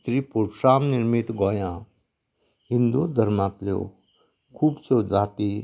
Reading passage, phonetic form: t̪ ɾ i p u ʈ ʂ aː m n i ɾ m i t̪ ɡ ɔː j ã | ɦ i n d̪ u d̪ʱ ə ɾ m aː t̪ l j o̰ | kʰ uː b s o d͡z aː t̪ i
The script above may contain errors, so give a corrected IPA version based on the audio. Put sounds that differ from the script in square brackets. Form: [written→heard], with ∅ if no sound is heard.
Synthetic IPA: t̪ ɾ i p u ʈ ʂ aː m n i ɾ m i t̪ ɡ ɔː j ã | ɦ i n d̪ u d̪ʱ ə ɾ m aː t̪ l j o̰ | kʰ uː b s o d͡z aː t̪ i